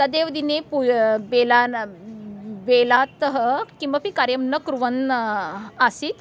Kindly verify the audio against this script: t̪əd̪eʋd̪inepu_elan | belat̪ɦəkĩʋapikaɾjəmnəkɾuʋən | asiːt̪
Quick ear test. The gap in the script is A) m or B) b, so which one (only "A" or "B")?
B